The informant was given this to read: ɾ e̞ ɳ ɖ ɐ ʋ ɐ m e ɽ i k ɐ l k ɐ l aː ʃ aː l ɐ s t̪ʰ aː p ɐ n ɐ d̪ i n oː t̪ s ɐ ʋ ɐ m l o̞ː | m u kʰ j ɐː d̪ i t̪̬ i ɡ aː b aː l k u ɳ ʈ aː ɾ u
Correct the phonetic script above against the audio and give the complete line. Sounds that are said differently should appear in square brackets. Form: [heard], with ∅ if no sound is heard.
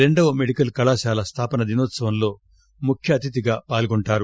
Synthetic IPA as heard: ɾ e̞ ɳ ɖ ɐ ʋ ɐ m e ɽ i k ɐ l k ɐ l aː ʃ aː l ɐ s t̪ʰ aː p ɐ n ɐ d̪ i n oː t̪ s ɐ ʋ ɐ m l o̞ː | m u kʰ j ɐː [t̪] i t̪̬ i ɡ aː [p] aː l [ɡ] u ɳ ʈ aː ɾ u